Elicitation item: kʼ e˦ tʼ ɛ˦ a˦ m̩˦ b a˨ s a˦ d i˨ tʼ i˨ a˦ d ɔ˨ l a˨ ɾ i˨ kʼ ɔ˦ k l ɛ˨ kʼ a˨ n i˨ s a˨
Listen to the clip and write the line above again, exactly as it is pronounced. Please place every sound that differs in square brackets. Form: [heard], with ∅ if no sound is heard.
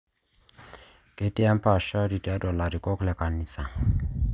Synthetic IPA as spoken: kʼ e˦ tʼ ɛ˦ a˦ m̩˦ [p] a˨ [ʃ] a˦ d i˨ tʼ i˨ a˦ d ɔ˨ l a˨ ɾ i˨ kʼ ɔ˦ k l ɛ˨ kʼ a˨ n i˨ s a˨

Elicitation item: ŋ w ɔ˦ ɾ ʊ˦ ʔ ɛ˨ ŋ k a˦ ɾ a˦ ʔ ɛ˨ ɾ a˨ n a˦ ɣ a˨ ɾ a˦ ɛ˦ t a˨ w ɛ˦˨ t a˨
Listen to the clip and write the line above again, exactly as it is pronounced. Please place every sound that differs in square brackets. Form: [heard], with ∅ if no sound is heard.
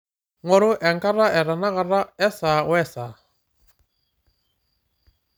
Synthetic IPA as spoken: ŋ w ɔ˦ ɾ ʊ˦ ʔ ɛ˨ ŋ k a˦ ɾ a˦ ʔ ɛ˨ ɾ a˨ n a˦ ɣ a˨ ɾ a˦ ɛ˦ [s] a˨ w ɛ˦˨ [s] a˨

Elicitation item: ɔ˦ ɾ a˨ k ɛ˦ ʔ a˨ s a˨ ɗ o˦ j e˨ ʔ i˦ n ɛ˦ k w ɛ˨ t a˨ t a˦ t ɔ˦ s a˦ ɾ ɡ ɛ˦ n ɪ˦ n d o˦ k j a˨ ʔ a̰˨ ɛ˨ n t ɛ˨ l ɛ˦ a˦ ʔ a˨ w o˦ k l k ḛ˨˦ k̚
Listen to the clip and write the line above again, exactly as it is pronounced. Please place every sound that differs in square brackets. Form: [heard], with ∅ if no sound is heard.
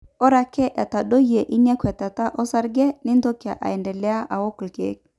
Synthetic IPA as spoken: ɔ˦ ɾ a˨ k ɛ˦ ʔ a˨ [t] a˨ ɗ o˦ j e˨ ʔ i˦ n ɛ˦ k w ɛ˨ t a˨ t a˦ [ʔ] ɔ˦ s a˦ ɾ ɡ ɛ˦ n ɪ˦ n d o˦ k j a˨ ʔ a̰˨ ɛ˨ n [d] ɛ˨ l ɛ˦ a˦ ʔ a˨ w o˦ k l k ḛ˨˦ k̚

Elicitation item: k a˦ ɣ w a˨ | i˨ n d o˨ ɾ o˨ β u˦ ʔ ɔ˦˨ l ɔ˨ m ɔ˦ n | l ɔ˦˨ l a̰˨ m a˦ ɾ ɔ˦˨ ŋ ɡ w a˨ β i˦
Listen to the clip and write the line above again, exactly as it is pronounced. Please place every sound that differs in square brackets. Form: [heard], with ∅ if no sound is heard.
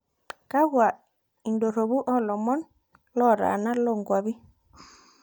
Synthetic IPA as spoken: k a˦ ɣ w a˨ | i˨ n d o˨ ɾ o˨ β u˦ ʔ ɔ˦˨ l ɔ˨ m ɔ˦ n | l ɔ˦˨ [ɾ] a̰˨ [n] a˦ [l] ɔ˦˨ ŋ ɡ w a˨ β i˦

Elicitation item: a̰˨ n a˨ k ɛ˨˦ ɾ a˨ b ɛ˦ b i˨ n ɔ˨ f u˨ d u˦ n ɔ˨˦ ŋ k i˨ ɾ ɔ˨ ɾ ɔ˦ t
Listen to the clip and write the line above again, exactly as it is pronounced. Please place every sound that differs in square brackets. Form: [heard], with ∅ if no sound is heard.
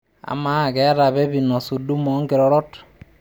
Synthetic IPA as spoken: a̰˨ [m] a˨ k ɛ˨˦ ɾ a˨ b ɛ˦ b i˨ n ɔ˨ [s] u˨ d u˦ [m] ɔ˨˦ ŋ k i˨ ɾ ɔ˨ ɾ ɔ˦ t

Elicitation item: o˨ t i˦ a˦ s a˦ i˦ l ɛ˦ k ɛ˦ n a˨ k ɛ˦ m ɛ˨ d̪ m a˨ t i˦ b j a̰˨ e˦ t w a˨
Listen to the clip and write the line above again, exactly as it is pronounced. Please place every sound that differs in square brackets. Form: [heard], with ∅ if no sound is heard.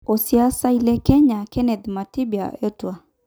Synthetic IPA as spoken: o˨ [s] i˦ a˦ s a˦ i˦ l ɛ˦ k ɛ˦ [ɲ] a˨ k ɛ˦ [n] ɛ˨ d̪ m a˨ t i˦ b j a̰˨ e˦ t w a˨

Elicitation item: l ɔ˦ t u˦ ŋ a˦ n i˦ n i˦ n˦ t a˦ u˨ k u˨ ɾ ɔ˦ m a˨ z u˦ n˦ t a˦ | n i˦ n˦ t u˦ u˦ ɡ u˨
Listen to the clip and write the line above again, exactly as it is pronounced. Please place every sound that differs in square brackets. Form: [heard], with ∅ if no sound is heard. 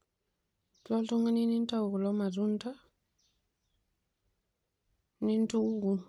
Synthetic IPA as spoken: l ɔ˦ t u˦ ŋ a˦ n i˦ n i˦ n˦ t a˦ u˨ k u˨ [l] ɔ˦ m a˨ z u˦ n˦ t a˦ | n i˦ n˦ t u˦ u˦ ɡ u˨

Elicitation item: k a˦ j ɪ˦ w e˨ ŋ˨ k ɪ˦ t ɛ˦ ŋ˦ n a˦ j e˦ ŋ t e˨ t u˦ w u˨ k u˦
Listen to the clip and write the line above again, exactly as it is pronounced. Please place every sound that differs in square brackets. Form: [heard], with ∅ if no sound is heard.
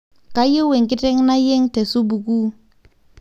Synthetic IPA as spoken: k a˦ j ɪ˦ w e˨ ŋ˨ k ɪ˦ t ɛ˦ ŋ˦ n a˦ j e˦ ŋ t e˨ [s] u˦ [b] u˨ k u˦

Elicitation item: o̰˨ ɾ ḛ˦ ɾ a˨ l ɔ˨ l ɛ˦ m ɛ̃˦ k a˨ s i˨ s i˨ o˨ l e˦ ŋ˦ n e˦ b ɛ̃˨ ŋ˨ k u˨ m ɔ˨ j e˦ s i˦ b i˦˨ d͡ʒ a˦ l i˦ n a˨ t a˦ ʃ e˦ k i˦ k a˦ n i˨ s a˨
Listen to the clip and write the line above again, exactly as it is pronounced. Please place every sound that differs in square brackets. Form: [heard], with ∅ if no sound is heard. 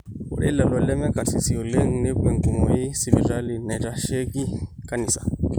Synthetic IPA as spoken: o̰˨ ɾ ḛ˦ [l] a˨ l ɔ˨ l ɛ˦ m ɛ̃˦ k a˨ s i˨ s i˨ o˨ l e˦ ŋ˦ n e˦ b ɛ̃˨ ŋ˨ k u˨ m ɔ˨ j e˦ s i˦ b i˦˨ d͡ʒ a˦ l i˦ n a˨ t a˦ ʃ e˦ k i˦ k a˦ n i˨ s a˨

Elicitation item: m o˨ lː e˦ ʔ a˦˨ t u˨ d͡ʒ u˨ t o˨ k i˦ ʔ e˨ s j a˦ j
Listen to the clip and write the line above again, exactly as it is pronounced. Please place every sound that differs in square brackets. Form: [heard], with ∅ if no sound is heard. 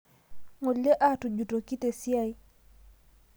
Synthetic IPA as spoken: [ŋ] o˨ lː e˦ ʔ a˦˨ t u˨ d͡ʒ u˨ t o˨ k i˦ [t] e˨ s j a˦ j

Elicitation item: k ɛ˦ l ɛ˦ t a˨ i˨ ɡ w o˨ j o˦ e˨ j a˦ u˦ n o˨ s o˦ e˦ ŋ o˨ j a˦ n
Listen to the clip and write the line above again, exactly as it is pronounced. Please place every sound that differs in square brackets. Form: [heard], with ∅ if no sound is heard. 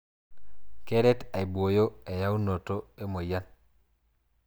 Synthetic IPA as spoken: k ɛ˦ [ɾ] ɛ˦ t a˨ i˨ [b] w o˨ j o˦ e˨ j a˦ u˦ n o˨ [t] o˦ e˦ [m] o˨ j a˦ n

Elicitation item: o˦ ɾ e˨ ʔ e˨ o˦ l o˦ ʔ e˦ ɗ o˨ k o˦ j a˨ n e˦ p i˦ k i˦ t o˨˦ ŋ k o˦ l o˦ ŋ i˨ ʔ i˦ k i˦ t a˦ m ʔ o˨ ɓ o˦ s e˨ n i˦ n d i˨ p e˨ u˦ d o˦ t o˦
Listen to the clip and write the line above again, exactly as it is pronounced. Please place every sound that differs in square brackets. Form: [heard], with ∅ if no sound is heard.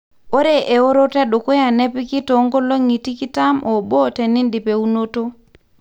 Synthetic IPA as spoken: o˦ ɾ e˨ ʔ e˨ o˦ [ɾ] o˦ [t] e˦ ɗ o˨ k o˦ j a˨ n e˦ p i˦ k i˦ t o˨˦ ŋ [ɡ] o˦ l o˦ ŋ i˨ [t] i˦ k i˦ t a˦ m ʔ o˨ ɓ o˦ [t] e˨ n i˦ n d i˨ p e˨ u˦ [n] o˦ t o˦

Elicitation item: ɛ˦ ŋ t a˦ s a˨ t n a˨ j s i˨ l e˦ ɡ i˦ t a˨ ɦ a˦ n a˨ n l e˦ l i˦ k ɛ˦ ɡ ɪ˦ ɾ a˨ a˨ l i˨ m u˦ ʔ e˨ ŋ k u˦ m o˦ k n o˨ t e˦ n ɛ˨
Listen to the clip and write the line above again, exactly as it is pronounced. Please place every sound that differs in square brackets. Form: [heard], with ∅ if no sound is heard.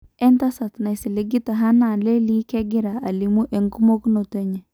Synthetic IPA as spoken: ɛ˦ [n] t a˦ s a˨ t n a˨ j s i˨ l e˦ ɡ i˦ t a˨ ɦ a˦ n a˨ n l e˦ l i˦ k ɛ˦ ɡ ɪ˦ ɾ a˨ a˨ l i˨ m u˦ ʔ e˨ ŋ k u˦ m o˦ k n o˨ t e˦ [ɲ] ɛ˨

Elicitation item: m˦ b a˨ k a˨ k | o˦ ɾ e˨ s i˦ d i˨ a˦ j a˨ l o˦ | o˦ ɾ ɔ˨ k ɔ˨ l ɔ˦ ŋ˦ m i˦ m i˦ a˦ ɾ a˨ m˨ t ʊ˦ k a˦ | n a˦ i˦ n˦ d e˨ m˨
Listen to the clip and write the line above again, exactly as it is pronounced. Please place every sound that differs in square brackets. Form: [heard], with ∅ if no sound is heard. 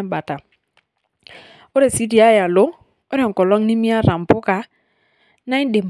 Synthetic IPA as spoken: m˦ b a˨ [t] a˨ [∅] | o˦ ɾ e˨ s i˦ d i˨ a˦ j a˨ l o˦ | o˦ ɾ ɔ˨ k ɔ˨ l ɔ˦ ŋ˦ [n] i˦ m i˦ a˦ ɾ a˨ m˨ [p] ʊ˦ k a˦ | n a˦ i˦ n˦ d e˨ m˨

